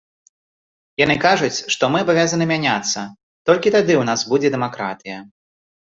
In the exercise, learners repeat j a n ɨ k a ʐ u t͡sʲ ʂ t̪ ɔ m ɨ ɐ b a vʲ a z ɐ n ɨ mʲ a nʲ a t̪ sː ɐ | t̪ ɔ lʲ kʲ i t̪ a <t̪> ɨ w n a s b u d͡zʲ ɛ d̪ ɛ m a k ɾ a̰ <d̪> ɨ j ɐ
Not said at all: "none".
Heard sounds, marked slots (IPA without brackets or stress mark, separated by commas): d̪, t̪